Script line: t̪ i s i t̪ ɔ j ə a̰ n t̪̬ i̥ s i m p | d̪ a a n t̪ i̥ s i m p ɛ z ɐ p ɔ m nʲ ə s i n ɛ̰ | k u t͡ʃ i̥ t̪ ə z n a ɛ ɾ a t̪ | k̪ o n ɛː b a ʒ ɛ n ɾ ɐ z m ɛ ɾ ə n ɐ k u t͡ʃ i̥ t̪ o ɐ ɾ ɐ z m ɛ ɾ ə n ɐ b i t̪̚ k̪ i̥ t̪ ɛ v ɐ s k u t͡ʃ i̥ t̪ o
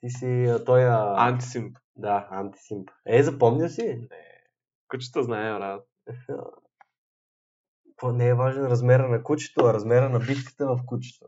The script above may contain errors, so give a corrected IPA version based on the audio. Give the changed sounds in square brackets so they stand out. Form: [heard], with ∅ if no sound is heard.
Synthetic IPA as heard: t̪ i s i t̪ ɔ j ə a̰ n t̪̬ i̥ s i m p | d̪ a a n t̪ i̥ s i m p ɛ z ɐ p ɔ m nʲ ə s i n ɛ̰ | k u t͡ʃ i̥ t̪ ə z n a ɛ ɾ a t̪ | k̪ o n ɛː [v] a ʒ ɛ n ɾ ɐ z m ɛ ɾ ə n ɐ k u t͡ʃ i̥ t̪ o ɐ ɾ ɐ z m ɛ ɾ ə n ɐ b i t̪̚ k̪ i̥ t̪ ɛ v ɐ [f] k u t͡ʃ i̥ t̪ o